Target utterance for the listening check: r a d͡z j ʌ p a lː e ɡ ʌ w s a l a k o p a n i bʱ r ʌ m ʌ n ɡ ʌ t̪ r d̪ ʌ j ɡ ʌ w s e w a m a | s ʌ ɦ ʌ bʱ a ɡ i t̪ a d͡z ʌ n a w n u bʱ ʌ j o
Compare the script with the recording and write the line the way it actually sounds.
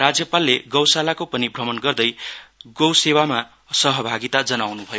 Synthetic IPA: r a d͡z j ʌ p a lː e ɡ ʌ w s a l a k o p ʌ n i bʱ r ʌ m ʌ n ɡ ʌ r d̪ ʌ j ɡ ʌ w s e w a m a | s ʌ ɦ ʌ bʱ a ɡ i t̪ a d͡z ʌ n a w n u bʱ ʌ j o